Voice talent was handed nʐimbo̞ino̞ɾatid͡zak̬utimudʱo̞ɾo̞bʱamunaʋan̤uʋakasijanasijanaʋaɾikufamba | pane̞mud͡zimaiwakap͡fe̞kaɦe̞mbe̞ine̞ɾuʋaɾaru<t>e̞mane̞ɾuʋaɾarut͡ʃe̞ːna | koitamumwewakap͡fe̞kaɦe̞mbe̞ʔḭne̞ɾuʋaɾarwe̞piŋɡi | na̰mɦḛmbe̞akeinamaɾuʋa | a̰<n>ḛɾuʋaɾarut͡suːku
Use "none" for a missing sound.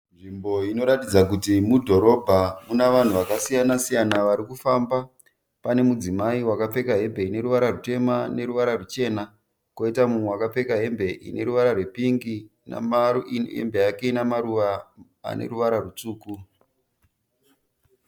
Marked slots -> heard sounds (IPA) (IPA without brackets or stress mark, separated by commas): t, n